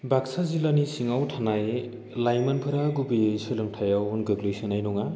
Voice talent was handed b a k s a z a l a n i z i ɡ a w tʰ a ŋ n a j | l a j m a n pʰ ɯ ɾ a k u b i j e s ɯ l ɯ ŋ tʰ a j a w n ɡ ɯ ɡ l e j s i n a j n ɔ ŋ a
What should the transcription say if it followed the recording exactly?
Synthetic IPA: b a k s a z i l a n i s i ŋ a w tʰ a n a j | l a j m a n pʰ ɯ ɾ a ɡ u b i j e s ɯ l ɯ ŋ tʰ a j a w n ɡ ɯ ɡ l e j s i n a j n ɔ ŋ a